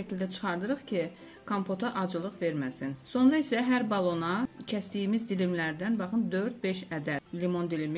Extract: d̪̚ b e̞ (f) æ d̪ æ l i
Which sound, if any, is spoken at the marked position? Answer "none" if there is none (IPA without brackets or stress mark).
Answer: ʃ